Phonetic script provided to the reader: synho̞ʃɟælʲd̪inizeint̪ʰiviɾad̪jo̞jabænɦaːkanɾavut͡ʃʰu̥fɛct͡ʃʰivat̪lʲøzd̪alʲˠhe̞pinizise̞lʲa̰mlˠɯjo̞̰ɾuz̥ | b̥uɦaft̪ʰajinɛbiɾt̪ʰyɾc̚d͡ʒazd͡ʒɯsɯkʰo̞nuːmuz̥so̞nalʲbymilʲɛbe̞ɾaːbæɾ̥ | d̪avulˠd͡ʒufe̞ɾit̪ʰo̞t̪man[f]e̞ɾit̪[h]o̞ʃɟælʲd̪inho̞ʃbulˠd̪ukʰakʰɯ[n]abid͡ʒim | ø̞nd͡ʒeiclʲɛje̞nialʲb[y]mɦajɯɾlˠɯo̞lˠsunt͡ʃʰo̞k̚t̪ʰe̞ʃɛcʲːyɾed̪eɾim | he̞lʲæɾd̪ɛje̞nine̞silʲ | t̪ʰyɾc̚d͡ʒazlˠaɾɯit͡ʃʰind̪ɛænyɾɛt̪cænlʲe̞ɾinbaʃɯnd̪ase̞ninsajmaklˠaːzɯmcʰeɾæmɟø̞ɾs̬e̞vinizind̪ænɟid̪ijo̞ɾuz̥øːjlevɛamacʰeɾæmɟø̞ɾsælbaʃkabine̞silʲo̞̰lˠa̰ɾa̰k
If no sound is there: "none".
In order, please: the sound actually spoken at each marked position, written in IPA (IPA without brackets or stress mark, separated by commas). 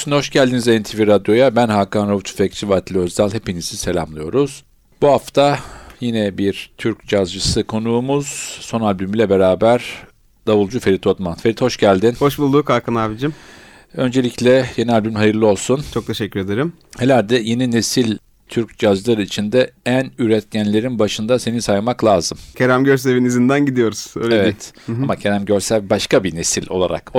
f, h, n, y